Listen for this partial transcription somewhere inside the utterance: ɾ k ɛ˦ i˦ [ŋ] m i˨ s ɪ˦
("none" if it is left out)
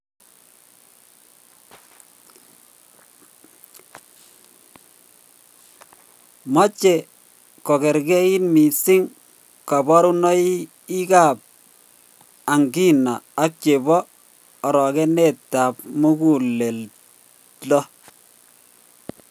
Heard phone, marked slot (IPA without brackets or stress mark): n